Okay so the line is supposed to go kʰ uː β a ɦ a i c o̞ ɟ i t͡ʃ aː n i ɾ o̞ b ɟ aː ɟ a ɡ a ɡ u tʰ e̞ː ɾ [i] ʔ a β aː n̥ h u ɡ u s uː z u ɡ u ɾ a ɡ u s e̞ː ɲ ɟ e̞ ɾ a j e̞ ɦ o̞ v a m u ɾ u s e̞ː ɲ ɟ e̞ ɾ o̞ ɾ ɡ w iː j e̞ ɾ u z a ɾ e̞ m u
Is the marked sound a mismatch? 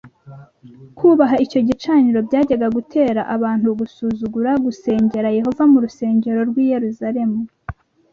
yes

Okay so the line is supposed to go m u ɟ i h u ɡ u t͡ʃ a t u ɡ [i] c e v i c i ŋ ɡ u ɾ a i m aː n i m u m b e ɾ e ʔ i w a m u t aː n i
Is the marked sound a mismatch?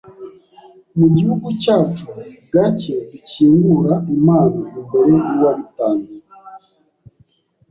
yes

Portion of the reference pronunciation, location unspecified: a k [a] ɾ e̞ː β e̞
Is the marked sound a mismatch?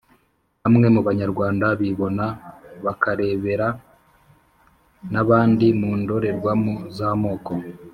no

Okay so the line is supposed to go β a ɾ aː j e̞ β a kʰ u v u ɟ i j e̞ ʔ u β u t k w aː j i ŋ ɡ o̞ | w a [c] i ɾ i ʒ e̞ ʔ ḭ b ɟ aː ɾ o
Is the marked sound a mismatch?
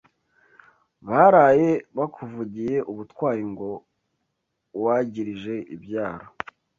yes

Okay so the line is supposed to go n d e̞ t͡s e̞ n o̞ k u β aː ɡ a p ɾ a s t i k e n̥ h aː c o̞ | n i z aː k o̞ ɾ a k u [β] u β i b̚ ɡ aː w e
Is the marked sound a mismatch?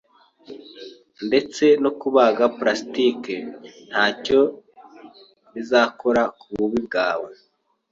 no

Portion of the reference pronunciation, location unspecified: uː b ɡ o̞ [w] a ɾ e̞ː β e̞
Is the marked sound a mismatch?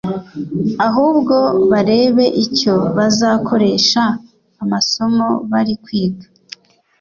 yes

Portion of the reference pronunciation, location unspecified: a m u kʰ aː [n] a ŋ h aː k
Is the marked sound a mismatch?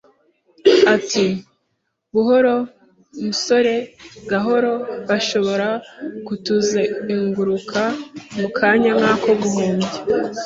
yes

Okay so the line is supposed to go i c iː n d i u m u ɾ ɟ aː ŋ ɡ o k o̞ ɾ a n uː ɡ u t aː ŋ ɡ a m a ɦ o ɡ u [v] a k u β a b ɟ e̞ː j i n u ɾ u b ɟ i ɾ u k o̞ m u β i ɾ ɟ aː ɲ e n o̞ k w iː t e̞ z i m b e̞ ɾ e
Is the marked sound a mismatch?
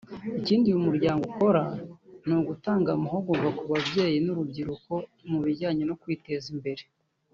no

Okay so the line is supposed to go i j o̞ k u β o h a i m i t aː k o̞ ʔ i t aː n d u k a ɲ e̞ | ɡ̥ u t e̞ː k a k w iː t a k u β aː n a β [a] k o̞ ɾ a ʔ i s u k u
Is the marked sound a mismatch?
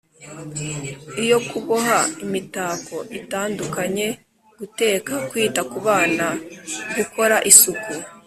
yes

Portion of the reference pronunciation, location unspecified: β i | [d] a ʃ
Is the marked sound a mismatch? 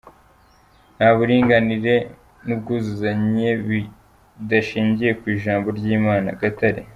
no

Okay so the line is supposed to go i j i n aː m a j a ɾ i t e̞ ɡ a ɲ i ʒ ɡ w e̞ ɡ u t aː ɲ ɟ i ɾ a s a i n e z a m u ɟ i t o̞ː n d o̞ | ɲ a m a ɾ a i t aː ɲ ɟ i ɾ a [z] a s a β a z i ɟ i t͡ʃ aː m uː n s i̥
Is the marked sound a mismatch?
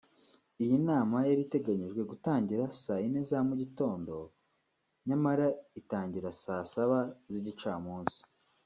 yes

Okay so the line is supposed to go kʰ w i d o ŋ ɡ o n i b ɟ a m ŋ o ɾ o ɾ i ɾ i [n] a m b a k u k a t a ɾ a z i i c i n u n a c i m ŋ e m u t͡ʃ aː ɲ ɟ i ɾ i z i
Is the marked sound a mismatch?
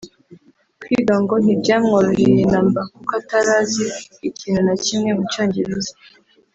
no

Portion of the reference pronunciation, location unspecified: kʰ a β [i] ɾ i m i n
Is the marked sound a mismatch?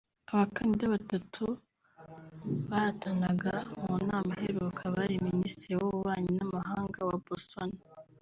yes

